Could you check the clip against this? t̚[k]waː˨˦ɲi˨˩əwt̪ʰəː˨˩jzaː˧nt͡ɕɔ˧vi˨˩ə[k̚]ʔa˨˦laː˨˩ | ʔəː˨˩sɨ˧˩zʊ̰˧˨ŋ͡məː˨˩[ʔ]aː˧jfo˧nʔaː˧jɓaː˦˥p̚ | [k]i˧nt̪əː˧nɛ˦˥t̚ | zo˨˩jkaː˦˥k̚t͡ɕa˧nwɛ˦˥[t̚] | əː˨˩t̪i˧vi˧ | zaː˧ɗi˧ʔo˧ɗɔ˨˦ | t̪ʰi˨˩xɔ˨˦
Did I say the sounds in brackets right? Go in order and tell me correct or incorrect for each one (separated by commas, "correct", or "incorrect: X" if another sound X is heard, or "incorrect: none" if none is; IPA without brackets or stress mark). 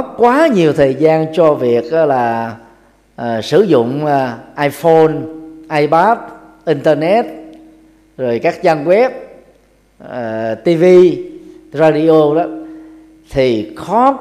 correct, correct, correct, incorrect: ʔ, incorrect: p̚